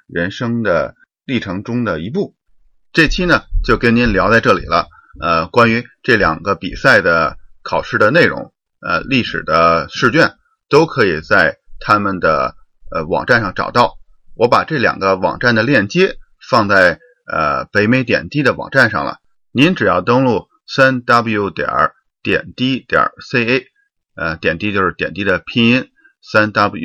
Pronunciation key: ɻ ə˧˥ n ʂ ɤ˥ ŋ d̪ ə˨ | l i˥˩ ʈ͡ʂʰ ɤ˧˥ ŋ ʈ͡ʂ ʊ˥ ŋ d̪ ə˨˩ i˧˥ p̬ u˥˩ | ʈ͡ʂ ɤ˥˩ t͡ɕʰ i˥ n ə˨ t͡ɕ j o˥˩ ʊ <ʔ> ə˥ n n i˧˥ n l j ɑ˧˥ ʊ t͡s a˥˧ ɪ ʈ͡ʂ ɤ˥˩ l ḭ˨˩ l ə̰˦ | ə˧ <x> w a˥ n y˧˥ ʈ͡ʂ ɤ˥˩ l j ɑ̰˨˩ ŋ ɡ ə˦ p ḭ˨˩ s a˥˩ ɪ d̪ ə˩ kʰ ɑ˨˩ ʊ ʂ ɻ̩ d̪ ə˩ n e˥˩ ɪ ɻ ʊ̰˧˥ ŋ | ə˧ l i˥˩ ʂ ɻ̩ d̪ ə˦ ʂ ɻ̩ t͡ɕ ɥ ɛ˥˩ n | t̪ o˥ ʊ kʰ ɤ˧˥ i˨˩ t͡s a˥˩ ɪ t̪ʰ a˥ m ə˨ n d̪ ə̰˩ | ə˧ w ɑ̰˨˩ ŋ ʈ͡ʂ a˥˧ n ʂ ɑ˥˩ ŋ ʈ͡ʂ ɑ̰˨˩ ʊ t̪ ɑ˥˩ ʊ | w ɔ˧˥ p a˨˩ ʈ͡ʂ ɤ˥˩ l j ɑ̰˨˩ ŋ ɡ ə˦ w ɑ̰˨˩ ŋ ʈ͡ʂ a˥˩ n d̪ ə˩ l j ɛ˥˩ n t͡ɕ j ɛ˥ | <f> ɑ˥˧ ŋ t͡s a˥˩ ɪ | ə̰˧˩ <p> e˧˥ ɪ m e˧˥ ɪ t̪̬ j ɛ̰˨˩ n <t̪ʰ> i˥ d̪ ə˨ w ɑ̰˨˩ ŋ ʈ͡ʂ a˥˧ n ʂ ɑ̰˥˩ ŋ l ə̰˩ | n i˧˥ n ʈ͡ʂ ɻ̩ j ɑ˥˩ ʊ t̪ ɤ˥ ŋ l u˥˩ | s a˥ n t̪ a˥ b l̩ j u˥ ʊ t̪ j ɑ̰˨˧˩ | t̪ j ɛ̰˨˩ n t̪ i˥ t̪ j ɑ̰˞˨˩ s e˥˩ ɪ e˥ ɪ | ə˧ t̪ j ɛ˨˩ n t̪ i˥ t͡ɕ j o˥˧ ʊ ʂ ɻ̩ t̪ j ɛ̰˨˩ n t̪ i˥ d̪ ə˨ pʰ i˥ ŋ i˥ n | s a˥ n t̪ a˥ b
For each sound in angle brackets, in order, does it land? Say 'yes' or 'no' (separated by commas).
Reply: no, no, yes, yes, no